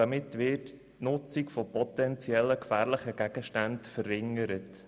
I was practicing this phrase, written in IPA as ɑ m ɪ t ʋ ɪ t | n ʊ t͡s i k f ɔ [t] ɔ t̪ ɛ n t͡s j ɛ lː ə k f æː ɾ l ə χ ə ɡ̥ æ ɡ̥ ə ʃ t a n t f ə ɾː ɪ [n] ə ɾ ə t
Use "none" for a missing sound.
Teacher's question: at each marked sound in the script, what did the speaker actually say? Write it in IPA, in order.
p, ŋ

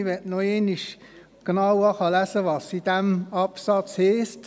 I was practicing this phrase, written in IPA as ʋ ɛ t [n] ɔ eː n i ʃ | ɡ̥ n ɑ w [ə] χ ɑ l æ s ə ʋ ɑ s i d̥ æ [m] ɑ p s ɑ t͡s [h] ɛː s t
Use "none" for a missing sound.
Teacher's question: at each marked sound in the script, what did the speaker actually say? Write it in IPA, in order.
n, ɑ, m, h

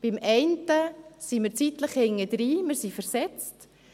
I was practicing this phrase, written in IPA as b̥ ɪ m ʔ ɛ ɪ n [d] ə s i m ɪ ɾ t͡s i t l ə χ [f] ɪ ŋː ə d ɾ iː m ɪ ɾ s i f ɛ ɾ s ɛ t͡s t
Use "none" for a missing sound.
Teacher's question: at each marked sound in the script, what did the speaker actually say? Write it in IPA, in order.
t, h

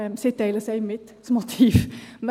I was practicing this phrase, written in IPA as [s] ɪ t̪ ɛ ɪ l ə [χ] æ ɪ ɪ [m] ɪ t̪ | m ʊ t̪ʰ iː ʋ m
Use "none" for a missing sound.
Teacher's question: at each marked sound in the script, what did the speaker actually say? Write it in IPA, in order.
s, s, m

